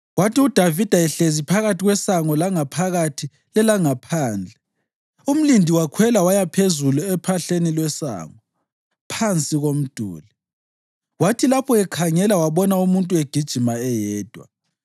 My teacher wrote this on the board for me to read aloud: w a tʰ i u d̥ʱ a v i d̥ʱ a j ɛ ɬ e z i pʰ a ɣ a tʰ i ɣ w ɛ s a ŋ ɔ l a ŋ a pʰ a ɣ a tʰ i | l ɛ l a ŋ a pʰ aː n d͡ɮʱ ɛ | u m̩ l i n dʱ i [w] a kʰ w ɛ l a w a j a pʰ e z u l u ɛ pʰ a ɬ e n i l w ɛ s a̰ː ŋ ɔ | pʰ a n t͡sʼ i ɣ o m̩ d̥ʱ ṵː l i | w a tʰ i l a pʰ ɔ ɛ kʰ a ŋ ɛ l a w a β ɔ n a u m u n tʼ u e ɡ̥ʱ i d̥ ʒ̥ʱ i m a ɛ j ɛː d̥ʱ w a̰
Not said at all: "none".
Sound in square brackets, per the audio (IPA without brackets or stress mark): w